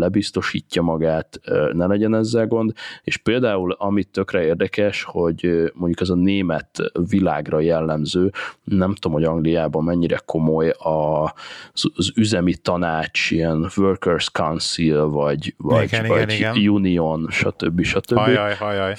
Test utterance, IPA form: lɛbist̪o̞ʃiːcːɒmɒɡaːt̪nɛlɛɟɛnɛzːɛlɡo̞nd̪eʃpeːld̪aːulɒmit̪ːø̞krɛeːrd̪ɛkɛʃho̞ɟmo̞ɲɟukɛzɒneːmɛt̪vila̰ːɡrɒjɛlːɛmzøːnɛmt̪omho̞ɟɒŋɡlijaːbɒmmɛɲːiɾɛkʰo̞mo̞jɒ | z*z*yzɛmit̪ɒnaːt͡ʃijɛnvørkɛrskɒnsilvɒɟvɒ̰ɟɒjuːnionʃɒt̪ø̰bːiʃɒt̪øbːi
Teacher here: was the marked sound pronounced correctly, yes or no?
yes